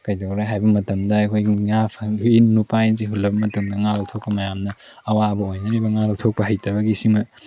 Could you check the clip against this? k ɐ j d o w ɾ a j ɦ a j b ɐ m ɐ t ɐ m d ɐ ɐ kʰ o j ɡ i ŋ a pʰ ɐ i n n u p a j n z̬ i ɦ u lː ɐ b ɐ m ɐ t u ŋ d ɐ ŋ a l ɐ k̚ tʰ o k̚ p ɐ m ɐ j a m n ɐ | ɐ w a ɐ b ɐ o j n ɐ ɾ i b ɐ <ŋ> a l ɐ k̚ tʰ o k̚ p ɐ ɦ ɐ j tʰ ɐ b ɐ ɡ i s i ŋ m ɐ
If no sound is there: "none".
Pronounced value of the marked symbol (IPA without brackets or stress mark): ŋ